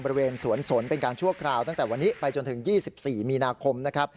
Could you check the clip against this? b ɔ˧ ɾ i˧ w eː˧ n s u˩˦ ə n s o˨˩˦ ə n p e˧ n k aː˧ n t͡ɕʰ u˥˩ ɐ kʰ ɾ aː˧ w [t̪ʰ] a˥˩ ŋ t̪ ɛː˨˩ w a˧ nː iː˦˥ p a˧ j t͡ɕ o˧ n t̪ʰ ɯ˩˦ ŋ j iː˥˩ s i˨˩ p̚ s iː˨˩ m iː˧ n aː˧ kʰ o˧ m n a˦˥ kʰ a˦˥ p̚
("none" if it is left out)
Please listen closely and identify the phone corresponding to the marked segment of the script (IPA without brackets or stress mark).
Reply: t̪